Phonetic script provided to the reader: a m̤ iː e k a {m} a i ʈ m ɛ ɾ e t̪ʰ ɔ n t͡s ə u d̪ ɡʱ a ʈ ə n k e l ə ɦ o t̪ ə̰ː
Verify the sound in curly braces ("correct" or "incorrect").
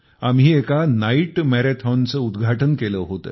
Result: incorrect